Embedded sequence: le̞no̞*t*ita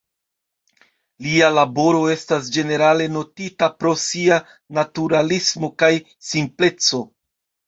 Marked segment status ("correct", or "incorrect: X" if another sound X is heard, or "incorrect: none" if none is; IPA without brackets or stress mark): correct